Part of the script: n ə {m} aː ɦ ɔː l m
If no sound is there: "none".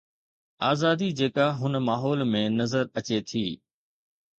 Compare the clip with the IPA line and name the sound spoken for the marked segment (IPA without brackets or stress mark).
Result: m